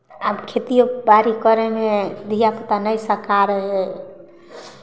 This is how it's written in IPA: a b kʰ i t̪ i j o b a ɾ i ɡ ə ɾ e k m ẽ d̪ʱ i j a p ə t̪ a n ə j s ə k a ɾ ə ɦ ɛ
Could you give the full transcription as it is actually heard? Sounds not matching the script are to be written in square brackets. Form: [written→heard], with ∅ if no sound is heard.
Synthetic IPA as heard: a b kʰ [i→e] t̪ i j o b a ɾ i [ɡ→k] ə ɾ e [k→∅] m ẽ d̪ʱ i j a p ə t̪ a n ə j s ə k a ɾ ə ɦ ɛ